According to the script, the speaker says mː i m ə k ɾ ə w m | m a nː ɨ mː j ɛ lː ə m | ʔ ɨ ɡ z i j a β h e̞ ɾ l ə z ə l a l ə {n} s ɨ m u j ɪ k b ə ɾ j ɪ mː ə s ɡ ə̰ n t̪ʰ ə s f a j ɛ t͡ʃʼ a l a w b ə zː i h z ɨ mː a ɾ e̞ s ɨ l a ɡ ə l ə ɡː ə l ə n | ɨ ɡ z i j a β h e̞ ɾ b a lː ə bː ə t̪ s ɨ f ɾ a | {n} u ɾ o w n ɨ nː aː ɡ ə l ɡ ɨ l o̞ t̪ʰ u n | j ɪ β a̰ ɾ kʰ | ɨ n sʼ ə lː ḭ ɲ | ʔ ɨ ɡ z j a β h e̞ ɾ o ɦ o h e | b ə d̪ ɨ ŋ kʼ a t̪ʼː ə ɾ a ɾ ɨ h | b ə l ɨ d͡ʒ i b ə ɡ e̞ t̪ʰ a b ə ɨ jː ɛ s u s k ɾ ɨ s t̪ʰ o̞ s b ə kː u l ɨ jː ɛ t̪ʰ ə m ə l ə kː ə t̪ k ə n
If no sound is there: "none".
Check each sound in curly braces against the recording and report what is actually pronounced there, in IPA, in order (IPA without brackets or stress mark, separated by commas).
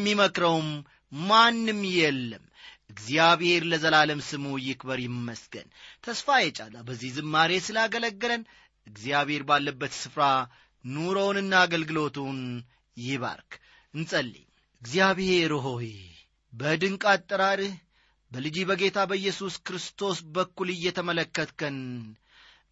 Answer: m, n